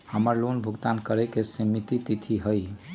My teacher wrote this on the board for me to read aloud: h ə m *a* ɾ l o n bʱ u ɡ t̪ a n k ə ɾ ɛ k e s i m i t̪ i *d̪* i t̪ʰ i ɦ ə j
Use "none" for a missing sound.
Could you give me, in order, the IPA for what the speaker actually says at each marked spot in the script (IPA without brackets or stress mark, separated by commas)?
ə, t̪